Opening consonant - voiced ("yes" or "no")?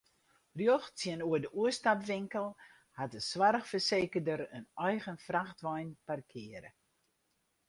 yes